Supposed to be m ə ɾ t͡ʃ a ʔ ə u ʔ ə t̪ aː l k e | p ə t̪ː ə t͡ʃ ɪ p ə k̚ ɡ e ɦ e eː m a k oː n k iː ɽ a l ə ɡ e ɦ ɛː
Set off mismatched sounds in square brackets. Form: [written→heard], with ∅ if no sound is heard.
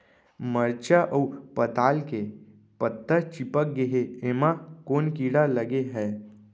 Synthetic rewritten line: m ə ɾ t͡ʃ a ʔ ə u [ʔ→p] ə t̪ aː l k e | p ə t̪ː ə t͡ʃ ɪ p ə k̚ ɡ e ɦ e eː m a k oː n k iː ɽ a l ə ɡ e ɦ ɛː